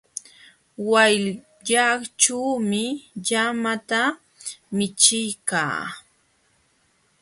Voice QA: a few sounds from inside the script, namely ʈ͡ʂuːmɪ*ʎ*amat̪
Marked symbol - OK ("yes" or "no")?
yes